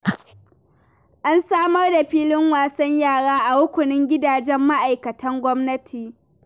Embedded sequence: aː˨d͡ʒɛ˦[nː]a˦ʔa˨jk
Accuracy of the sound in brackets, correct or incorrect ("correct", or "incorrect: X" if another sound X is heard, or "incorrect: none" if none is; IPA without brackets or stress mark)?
incorrect: mː